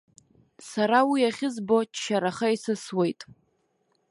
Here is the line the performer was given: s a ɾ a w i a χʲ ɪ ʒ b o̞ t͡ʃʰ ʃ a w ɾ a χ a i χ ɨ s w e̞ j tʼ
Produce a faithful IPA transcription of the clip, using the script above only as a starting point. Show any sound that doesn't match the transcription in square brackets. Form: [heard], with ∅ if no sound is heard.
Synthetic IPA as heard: s a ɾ a w i a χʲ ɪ [z] b o̞ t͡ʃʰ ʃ a [∅] ɾ a χ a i [s] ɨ s w e̞ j tʼ